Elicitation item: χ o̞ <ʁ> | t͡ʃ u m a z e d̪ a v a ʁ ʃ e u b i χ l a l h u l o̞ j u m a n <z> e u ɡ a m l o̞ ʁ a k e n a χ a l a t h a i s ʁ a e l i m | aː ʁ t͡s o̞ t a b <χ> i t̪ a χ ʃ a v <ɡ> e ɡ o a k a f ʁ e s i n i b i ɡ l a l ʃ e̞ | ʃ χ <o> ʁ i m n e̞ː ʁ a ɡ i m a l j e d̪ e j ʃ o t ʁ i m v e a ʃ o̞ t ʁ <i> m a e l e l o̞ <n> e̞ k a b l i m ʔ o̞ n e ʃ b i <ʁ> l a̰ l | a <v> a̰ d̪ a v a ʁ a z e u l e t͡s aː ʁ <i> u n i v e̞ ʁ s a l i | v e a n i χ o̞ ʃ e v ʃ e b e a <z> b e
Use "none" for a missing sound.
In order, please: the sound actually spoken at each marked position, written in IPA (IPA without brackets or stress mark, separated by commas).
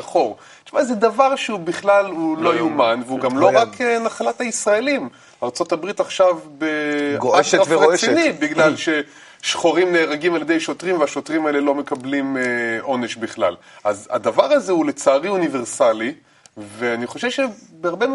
ʁ, v, ʁ, b, o, i, m, χ, z, i, ʁ